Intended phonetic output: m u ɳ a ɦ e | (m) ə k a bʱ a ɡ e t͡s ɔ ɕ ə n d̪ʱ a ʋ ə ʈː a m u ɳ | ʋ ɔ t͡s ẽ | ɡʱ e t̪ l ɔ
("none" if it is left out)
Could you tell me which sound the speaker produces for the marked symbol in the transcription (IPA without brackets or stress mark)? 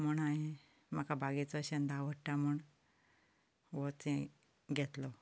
m